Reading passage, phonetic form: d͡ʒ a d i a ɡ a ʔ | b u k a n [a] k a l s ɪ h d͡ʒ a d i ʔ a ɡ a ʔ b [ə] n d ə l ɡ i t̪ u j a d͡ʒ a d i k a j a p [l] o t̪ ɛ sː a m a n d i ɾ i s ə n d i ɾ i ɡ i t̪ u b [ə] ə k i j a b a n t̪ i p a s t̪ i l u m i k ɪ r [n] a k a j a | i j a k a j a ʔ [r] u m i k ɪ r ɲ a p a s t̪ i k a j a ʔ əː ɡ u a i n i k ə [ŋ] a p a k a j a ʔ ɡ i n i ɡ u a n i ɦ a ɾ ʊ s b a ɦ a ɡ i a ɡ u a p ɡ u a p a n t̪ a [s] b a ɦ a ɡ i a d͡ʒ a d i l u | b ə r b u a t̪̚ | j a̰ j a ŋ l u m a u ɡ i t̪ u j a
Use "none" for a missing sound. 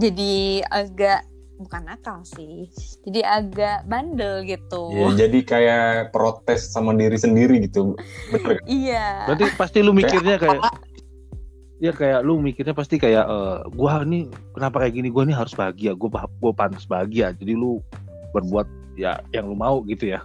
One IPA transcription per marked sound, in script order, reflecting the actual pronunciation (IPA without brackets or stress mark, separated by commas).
a, a, ɾ, ə, ɲ, l, n, s